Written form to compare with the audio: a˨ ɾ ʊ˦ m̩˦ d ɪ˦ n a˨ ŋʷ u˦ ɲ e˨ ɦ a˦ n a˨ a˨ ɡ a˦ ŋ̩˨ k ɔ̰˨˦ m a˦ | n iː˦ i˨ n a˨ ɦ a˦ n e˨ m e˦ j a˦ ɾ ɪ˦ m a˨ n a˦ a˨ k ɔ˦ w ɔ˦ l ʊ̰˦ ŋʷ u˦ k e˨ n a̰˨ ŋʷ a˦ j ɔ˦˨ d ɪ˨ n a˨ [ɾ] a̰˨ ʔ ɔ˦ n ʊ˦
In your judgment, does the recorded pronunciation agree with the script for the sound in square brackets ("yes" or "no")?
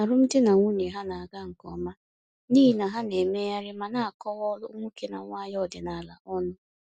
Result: no